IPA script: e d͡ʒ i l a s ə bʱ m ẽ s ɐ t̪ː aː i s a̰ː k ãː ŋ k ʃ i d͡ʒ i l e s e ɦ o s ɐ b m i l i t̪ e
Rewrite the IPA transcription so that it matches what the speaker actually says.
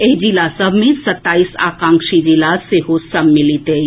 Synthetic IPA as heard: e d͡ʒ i l a s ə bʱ m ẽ s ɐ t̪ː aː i s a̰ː k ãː ŋ k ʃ i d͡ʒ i l a s e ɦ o s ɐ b m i l i t̪ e